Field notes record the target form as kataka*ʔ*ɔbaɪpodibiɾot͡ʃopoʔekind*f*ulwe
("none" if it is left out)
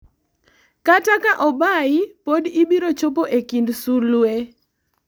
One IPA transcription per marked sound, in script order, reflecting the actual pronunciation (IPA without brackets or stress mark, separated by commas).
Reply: ʔ, s